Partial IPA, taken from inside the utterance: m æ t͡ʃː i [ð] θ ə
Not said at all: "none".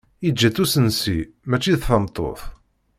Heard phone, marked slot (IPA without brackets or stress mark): ð